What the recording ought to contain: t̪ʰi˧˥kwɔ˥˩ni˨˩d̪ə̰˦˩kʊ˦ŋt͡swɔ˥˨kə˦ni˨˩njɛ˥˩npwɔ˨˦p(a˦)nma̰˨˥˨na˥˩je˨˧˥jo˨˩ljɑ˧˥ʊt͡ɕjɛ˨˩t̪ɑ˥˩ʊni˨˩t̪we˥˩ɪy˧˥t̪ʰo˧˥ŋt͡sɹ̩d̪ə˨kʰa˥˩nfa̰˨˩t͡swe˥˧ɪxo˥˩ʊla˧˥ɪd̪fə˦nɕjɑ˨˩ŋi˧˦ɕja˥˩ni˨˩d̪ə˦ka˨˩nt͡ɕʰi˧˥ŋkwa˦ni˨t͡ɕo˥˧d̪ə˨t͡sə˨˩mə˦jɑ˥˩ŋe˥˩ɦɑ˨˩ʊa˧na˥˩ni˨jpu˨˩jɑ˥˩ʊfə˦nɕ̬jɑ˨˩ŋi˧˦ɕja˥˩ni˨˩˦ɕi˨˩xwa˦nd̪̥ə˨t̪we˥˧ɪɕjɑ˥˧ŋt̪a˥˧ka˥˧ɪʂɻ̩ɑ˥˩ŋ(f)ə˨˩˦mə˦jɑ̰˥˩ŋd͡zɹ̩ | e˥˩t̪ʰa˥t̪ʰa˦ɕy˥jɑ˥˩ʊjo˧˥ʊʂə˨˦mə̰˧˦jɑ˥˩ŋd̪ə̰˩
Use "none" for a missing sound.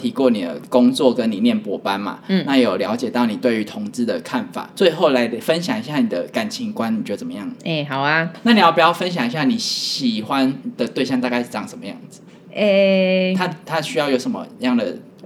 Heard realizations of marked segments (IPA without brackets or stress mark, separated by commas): a˦, ʂ